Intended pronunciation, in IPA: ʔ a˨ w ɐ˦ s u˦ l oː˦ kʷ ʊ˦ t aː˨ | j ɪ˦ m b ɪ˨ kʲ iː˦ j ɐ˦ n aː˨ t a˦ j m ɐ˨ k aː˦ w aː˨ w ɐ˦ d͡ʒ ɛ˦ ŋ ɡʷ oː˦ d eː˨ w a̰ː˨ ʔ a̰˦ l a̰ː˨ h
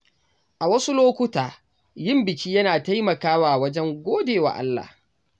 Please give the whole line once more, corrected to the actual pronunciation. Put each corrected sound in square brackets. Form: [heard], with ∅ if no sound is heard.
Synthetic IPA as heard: ʔ a˨ w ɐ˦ s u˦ l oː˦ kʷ ʊ˦ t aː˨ | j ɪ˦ m b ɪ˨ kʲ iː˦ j ɐ˦ n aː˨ t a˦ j m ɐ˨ k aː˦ w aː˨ w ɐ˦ d͡ʒ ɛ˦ ŋ ɡʷ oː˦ d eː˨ w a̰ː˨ ʔ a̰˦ [lː] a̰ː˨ h